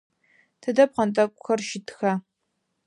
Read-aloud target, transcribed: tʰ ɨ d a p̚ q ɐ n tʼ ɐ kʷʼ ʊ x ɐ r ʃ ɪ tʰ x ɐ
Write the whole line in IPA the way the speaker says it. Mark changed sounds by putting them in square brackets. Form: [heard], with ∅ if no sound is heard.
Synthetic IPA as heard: tʰ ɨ d [ɐ] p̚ q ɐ n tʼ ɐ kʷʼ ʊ x ɐ r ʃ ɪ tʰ x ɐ